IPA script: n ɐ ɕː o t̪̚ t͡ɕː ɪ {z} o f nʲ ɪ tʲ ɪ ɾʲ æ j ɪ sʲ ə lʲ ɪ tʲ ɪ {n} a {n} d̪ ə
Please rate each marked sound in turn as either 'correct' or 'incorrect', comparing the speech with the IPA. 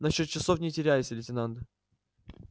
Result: incorrect: s, correct, correct

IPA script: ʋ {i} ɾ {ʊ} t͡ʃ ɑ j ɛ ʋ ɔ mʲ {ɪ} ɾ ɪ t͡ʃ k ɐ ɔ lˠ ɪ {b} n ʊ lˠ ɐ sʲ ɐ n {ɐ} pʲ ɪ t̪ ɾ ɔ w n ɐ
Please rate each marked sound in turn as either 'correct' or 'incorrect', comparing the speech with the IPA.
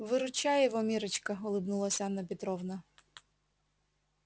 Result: incorrect: ɪ, correct, incorrect: i, correct, correct

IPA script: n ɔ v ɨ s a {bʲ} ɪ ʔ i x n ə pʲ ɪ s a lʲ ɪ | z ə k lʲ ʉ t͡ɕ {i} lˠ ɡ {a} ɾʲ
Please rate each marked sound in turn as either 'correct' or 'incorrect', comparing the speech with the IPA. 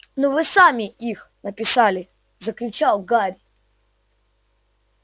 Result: incorrect: mʲ, incorrect: a, correct

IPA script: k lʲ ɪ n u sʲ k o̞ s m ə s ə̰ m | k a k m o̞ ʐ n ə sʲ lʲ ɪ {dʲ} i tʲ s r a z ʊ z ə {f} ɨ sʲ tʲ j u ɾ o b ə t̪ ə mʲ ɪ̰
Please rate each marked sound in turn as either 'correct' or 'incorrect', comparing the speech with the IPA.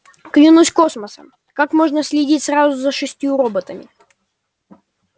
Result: correct, incorrect: ʂ

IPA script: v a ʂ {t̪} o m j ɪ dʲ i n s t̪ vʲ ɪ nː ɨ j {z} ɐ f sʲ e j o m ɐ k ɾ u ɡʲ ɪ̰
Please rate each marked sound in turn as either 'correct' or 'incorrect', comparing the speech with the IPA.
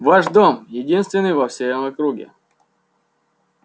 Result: incorrect: d̪, incorrect: v

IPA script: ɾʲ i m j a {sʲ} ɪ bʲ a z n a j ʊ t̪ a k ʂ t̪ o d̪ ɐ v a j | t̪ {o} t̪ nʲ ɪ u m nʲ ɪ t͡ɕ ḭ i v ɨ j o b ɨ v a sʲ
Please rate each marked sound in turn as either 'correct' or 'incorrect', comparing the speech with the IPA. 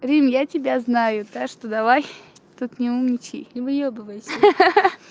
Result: incorrect: tʲ, incorrect: u

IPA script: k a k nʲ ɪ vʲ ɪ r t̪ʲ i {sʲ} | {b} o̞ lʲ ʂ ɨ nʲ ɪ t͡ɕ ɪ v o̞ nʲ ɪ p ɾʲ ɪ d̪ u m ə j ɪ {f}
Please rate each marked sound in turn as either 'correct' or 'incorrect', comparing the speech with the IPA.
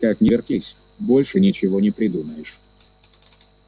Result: correct, correct, incorrect: ʂ

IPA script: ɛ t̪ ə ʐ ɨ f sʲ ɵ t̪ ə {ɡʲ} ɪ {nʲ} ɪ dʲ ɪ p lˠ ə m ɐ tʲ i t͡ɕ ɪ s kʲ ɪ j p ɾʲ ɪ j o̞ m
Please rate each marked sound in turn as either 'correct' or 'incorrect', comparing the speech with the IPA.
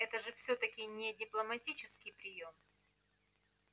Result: incorrect: kʲ, correct

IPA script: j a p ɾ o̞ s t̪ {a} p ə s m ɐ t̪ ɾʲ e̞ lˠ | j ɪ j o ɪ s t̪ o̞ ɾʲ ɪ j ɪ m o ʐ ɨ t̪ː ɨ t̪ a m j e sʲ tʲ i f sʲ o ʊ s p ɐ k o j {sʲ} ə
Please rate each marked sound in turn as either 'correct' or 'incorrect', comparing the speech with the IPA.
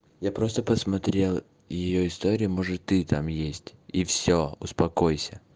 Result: incorrect: ə, correct

